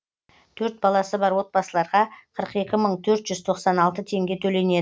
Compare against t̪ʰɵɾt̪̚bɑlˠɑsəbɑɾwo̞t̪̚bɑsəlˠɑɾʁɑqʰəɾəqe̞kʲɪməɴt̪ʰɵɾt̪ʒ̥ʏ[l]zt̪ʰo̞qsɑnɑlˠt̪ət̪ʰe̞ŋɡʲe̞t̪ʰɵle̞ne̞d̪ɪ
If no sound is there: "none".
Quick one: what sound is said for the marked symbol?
none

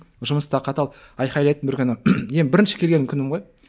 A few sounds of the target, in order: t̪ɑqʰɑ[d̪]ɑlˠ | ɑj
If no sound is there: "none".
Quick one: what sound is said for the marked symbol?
t̪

